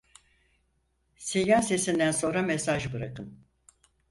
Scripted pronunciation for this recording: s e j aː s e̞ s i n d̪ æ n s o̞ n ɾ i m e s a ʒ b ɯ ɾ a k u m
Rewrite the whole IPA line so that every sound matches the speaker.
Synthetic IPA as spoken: s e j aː s e̞ s i n d̪ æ n s o̞ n ɾ a m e s a ʒ b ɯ ɾ a k ɯ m